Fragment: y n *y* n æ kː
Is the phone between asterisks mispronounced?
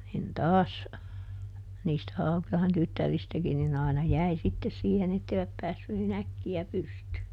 yes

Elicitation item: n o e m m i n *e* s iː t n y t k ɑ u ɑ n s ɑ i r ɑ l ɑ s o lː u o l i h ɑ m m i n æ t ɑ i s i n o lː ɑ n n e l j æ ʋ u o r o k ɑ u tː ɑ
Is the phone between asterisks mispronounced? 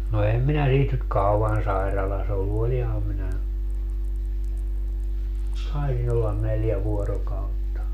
yes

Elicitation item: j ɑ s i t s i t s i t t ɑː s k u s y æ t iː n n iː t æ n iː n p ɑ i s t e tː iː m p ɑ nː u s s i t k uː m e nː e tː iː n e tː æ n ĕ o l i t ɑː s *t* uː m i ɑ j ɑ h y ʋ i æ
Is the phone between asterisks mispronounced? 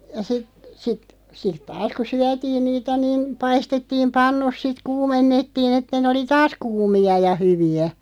yes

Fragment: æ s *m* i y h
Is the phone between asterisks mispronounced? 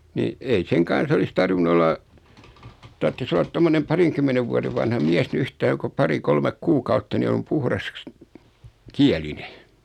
yes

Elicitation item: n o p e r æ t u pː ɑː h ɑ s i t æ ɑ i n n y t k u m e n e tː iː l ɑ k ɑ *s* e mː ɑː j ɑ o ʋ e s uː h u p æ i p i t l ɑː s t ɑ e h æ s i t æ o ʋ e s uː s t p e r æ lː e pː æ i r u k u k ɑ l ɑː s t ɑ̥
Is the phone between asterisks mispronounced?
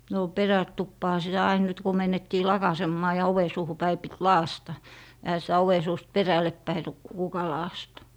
no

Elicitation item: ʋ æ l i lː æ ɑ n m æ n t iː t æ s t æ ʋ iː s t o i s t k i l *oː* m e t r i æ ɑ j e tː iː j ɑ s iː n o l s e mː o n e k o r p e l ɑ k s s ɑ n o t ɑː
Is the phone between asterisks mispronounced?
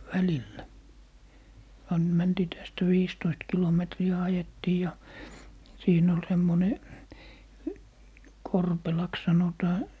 yes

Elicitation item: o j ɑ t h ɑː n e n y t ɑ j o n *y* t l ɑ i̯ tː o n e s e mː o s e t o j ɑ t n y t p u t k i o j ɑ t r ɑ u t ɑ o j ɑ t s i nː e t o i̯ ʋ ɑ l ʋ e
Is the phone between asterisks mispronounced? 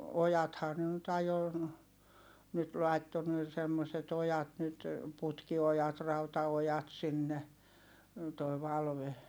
no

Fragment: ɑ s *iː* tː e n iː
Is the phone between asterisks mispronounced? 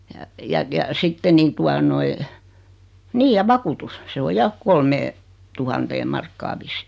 yes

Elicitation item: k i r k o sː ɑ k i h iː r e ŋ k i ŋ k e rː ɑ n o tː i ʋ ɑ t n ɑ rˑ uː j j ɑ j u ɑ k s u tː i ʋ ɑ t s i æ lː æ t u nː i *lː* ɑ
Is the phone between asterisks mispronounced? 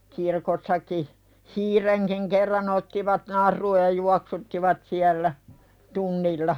no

